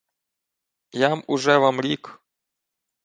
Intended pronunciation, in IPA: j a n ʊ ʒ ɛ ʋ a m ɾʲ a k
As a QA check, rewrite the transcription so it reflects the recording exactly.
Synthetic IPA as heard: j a m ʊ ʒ ɛ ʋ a m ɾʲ i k